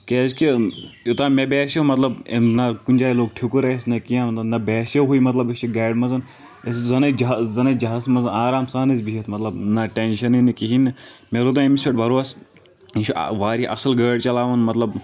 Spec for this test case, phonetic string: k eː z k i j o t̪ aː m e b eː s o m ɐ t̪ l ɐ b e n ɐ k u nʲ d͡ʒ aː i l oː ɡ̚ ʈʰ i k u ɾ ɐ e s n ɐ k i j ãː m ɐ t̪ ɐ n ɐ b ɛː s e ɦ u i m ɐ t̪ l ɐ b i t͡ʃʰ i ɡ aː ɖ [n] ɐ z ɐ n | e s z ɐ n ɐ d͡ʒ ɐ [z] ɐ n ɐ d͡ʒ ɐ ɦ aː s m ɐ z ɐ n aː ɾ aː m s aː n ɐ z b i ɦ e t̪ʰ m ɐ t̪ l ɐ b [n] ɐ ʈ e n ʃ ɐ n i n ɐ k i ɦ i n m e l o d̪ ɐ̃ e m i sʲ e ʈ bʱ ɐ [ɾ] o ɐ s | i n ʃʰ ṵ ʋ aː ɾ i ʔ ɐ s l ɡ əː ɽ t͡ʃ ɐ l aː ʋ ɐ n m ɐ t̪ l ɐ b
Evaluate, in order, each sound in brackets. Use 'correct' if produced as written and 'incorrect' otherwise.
incorrect: m, correct, correct, correct

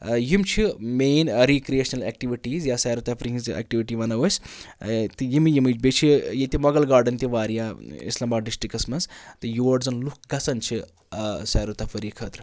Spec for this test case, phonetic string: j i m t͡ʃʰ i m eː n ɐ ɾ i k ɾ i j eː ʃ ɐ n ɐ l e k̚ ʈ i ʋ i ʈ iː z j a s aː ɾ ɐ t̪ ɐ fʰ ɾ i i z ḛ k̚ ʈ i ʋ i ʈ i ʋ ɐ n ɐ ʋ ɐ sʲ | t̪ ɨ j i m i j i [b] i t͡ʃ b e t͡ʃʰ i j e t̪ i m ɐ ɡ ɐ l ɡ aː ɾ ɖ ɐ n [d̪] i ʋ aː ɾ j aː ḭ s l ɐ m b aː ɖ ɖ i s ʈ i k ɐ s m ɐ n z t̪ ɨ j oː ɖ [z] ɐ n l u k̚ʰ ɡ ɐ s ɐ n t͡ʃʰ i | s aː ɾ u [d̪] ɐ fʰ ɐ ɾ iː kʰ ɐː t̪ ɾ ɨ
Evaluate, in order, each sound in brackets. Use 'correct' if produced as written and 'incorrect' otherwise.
incorrect: m, incorrect: t̪, correct, incorrect: t̪

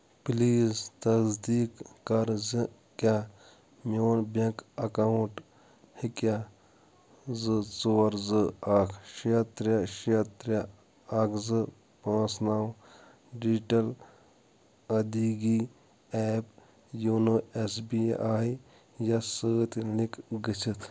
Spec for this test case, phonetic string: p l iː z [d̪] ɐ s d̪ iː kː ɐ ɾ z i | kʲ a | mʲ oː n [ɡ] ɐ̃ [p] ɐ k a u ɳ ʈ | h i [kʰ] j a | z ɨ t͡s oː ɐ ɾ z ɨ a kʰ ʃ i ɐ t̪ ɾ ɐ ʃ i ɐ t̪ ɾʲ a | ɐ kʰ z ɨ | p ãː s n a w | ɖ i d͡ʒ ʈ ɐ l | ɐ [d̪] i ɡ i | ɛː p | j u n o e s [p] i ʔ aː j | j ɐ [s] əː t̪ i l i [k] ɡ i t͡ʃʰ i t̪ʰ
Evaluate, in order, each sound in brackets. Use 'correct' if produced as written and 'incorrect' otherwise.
incorrect: t̪, incorrect: b, incorrect: k, incorrect: k, correct, incorrect: b, correct, correct

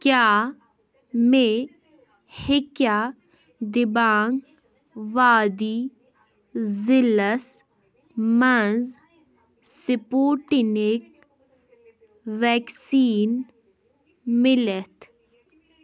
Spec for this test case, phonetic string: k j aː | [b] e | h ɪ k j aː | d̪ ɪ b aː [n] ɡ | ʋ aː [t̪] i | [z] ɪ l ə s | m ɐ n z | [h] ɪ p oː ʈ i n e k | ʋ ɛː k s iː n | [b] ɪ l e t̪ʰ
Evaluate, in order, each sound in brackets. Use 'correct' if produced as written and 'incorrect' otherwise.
incorrect: m, incorrect: ŋ, incorrect: d̪, correct, incorrect: s, incorrect: m

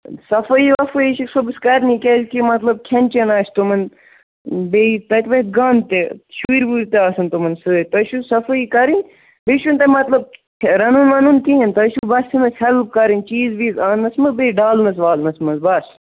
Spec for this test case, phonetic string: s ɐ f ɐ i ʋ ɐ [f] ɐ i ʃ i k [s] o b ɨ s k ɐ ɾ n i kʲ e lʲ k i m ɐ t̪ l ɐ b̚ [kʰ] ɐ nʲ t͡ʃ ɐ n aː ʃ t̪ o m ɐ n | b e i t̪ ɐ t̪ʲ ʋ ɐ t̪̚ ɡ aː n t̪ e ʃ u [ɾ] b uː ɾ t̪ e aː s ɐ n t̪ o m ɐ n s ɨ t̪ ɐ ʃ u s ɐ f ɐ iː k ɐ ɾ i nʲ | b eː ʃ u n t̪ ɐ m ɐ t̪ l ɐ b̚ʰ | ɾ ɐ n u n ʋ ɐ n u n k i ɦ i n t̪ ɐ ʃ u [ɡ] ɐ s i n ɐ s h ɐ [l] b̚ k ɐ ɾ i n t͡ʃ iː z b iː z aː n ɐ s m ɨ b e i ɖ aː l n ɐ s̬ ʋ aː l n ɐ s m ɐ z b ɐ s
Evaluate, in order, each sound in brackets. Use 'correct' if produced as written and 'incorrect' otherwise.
correct, correct, correct, correct, incorrect: b, correct

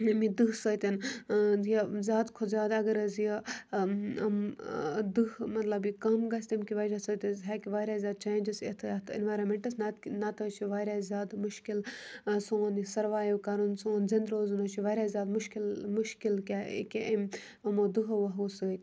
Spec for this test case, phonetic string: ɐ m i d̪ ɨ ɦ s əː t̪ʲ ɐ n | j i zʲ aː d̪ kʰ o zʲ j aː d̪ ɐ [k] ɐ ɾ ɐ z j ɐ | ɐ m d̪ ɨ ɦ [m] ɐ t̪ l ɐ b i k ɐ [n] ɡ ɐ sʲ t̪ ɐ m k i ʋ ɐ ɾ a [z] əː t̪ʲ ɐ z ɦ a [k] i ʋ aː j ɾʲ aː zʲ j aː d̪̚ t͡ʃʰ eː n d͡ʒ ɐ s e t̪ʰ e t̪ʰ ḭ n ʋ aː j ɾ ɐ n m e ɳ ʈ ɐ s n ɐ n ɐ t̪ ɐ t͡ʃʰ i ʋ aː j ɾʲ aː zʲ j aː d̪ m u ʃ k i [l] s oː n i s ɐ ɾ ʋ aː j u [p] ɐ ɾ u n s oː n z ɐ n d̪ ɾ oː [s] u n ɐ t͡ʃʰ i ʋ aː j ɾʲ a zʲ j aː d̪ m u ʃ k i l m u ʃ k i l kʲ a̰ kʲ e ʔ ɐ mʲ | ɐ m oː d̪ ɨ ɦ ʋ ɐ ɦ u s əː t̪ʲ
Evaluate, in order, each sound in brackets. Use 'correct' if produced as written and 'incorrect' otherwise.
incorrect: ɡ, correct, incorrect: m, incorrect: s, correct, correct, incorrect: k, incorrect: z

